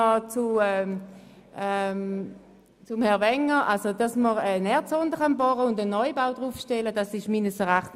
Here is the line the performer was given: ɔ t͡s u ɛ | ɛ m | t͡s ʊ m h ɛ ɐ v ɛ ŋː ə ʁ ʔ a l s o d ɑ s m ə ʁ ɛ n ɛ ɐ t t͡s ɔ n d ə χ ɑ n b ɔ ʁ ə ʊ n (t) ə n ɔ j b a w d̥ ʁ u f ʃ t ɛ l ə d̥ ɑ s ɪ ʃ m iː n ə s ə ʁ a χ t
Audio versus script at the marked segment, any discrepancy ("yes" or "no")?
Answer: yes